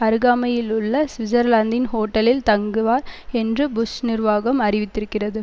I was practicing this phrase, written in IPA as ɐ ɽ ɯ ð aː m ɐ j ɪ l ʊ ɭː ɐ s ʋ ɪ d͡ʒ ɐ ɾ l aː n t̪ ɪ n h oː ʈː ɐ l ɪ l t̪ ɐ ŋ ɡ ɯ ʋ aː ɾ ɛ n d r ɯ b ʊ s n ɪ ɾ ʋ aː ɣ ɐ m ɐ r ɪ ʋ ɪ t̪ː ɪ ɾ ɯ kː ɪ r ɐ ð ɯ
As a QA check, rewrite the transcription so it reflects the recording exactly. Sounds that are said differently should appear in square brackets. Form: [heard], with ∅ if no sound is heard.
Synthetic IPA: ɐ [ɾ] ɯ [ɣ] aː m ɐ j ɪ l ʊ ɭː ɐ s ʋ ɪ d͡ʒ ɐ ɾ l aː n [d̪] ɪ n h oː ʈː ɐ l ɪ l t̪ ɐ ŋ ɡ ɯ ʋ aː ɾ ɛ n d r ɯ b ʊ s n ɪ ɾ ʋ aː ɣ ɐ m ɐ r ɪ ʋ ɪ t̪ː ɪ ɾ ɯ kː ɪ r ɐ ð ɯ